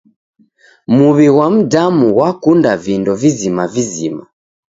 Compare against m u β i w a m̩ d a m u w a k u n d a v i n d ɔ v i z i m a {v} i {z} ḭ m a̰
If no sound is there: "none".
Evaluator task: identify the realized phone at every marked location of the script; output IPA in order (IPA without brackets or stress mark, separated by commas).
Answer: v, z